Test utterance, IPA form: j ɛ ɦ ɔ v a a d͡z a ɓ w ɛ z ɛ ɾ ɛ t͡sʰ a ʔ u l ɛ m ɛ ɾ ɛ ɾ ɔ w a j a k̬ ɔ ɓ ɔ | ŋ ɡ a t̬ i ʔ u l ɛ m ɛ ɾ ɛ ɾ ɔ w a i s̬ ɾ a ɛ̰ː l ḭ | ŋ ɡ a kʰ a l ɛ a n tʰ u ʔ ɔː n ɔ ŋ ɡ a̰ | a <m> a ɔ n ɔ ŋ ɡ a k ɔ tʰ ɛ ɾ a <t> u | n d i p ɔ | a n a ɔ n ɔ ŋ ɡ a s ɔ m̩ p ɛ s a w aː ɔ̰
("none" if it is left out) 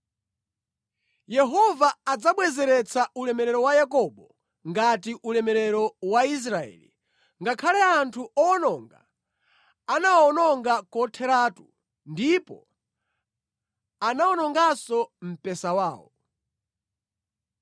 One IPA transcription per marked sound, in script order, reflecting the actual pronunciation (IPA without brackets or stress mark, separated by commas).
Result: n, t